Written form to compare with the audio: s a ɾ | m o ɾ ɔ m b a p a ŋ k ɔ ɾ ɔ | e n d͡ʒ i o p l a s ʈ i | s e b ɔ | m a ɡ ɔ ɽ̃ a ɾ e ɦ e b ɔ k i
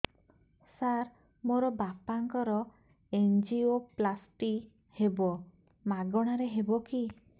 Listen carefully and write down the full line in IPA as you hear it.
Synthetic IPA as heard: s a ɾ | m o ɾ ɔ b a p a ŋ k ɔ ɾ ɔ | e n d͡ʒ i o p l a s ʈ i | h e b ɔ | m a ɡ ɔ ɽ̃ a ɾ e ɦ e b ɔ k i

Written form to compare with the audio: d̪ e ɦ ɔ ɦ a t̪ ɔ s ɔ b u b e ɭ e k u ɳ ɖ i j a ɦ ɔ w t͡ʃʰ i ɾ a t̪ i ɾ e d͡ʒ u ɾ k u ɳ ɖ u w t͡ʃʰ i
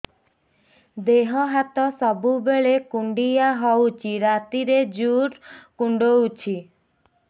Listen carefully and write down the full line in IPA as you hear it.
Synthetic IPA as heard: d̪ e ɦ ɔ ɦ a t̪ ɔ s ɔ b u b e ɭ e k u ɳ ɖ i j a ɦ ɔ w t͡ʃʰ i ɾ a t̪ i ɾ e d͡ʒ u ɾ k u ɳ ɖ o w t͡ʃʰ i

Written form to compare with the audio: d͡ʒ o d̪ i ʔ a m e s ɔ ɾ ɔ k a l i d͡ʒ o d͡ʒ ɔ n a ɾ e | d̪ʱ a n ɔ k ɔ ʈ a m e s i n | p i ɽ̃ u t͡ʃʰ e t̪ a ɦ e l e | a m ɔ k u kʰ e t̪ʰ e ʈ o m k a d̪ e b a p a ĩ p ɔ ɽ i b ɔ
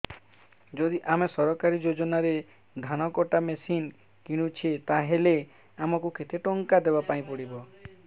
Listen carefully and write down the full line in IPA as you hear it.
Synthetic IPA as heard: d͡ʒ o d̪ i ʔ a m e s ɔ ɾ ɔ k a ɾ i d͡ʒ o d͡ʒ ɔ n a ɾ e | d̪ʱ a n ɔ k ɔ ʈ a m e s i n | k i ɽ̃ u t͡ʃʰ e t̪ a ɦ e l e | a m ɔ k u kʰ e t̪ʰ e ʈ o ŋ k a d̪ e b a p a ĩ p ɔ ɽ i b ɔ

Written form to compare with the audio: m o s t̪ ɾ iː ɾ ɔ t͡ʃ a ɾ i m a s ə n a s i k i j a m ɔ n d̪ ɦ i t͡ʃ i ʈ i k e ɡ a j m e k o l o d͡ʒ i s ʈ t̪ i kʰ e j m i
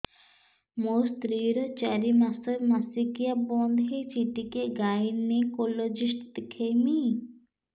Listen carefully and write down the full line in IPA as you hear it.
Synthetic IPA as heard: m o s t̪ ɾ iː ɾ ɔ t͡ʃ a ɾ i m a s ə m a s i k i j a b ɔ n d̪ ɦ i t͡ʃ i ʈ i k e ɡ a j n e k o l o d͡ʒ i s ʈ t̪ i kʰ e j m i

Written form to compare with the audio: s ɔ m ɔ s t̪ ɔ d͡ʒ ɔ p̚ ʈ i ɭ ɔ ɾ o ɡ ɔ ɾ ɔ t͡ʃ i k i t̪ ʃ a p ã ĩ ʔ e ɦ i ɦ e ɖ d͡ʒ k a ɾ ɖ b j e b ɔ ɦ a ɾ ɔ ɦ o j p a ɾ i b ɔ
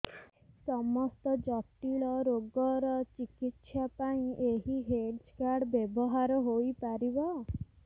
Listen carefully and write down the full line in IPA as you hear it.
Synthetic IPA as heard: s ɔ m ɔ s t̪ ɔ d͡ʒ ɔ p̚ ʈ i ɭ ɔ ɾ o ɡ ɔ ɾ ɔ t͡ʃ i k i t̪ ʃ a p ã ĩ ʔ e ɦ i ɦ e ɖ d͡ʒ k a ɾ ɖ b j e b ɔ ɦ a ɾ ɔ ɦ o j p a ɾ i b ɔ

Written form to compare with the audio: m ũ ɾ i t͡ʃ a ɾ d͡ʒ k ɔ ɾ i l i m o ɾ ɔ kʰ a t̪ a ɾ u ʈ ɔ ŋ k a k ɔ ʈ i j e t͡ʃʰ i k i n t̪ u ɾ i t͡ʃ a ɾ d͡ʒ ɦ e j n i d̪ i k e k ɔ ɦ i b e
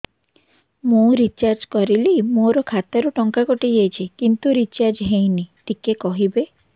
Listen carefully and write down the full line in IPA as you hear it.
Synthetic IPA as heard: m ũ ɾ i t͡ʃ a ɾ d͡ʒ k ɔ ɾ i l i m o ɾ ɔ kʰ a t̪ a ɾ u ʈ ɔ ŋ k a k ɔ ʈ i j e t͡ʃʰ i k i n t̪ u ɾ i t͡ʃ a ɾ d͡ʒ ɦ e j n i t̪ i k e k ɔ ɦ i b e

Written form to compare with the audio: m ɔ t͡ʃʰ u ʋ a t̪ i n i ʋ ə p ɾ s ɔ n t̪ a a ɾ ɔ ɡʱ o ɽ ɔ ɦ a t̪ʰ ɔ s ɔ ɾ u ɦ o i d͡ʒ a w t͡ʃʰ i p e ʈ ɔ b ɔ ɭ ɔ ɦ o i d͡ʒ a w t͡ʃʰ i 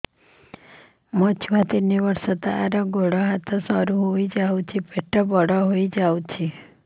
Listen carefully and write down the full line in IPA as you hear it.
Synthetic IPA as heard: m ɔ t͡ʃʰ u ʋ a t̪ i n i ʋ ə ɾ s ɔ t̪ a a ɾ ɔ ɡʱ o ɽ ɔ ɦ a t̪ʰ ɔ s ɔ ɾ u ɦ o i d͡ʒ a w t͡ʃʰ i p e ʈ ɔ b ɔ ɽ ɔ ɦ o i d͡ʒ a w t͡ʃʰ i

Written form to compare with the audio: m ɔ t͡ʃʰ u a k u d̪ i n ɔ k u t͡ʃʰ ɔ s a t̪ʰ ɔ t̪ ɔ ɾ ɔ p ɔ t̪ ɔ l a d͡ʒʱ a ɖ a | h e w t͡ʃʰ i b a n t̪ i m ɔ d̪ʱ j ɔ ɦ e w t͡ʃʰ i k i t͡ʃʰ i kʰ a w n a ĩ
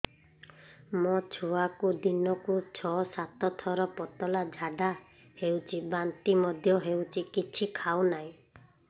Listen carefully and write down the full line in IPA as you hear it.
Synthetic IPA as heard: m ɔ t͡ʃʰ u a k u d̪ i n ɔ k u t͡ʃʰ ɔ s a t̪ ɔ t̪ʰ ɔ ɾ ɔ p ɔ t̪ ɔ l a d͡ʒʱ a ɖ a | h e w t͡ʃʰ i b a n t̪ i m ɔ d̪ʱ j ɔ ɦ e w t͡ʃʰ i k i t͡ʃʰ i kʰ a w n a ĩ

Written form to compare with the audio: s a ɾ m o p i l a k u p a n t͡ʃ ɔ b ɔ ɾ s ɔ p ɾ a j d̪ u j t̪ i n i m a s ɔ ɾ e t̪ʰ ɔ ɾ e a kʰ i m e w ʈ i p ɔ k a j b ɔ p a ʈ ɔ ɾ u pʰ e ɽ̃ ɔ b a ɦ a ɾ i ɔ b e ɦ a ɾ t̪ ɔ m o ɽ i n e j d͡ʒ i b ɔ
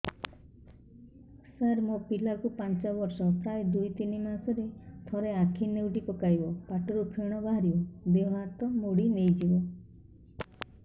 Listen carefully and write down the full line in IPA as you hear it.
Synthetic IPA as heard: s a ɾ m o p i l a k u p a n t͡ʃ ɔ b ɔ ɾ s ɔ p ɾ a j d̪ u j t̪ i n i m a s ɔ ɾ e t̪ʰ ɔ ɾ e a kʰ i n e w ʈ i p ɔ k a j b ɔ p a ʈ ɔ ɾ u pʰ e ɽ̃ ɔ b a ɦ a ɾ i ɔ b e ɦ a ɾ t̪ ɔ m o ɽ i n e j d͡ʒ i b ɔ

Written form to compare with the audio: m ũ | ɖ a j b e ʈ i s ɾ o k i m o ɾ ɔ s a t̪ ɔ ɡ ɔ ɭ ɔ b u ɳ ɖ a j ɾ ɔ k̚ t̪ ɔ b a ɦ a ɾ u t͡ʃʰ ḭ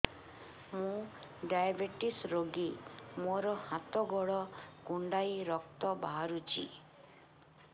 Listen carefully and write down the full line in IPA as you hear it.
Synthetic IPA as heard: m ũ | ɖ a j b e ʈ i s ɾ o ɡ i m o ɾ ɔ h a t̪ ɔ ɡ ɔ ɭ ɔ ɡ u ɳ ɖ a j ɾ ɔ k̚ t̪ ɔ b a ɦ a ɾ u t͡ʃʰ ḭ

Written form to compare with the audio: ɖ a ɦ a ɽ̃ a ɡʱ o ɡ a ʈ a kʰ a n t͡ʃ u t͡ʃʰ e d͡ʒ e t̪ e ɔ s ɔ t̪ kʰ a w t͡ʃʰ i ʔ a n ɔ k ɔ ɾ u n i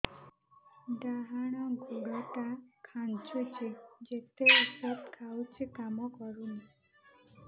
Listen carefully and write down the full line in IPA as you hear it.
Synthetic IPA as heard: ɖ a ɦ a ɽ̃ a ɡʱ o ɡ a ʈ a kʰ a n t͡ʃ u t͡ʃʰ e d͡ʒ e t̪ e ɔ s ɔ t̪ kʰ a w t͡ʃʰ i k a m ɔ k ɔ ɾ u n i

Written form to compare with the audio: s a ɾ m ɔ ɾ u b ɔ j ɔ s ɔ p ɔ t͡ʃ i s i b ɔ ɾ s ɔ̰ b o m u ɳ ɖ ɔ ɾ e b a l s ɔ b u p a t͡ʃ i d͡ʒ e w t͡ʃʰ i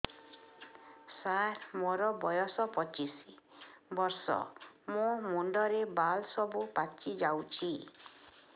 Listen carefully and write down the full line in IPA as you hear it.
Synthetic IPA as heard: s a ɾ m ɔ ɾ ɔ b ɔ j ɔ s ɔ p ɔ t͡ʃ i s i b ɔ ɾ s ɔ̰ m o m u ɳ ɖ ɔ ɾ e b a l s ɔ b u p a t͡ʃ i d͡ʒ a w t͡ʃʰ i

